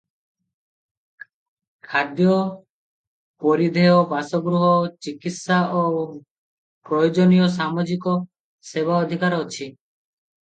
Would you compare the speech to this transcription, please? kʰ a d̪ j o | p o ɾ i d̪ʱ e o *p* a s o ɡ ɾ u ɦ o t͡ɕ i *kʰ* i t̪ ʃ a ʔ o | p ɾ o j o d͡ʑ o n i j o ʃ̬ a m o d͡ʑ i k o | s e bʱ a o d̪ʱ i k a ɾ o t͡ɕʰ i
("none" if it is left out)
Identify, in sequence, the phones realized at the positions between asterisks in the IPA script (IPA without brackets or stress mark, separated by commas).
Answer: b, k